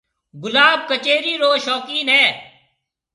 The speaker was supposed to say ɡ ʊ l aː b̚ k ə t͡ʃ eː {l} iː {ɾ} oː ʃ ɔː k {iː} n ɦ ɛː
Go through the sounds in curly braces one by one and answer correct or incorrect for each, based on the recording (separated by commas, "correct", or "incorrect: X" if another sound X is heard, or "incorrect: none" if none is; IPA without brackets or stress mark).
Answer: incorrect: ɾ, correct, correct